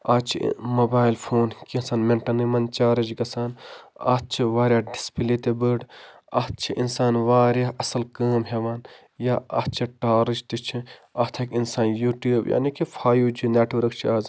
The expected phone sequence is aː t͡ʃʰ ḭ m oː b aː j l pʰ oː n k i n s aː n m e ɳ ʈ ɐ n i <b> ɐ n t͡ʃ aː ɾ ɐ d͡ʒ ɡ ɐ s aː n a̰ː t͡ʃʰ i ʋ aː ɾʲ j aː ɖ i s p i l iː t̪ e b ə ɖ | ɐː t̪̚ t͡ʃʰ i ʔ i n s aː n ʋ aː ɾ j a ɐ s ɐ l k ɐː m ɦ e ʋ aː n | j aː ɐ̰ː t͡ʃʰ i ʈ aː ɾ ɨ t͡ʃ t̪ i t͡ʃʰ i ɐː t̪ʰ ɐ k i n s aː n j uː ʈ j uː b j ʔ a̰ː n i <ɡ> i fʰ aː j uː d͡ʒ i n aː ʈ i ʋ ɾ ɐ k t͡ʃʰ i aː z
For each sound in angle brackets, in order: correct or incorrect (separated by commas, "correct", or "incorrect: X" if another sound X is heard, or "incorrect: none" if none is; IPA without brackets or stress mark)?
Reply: incorrect: m, incorrect: k